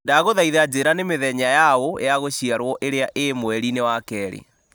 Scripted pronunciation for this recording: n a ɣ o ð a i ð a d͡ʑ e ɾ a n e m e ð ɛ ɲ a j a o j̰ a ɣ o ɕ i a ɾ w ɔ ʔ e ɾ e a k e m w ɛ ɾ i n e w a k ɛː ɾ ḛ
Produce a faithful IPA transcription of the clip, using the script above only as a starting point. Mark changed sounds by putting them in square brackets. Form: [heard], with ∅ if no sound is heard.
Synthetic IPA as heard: [d] a ɣ o ð a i ð a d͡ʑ e ɾ a n e m e ð ɛ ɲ a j a o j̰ a ɣ o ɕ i a ɾ w ɔ ʔ e ɾ e a [ʔ] e m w ɛ ɾ i n e w a k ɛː ɾ ḛ